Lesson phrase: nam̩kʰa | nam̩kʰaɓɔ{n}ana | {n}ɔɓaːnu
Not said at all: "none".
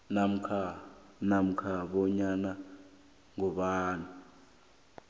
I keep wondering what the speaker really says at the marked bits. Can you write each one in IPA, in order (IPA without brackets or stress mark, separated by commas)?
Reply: ɲ, ŋ